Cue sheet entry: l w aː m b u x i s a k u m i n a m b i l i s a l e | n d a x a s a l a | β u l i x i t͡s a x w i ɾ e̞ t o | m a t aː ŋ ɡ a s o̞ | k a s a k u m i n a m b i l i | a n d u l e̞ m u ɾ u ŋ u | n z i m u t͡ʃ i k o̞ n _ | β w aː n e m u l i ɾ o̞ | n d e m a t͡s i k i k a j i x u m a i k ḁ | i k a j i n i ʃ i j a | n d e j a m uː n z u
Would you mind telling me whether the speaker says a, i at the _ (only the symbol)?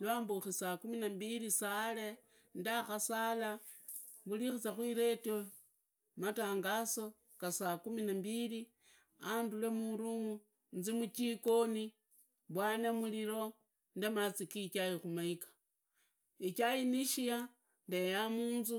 i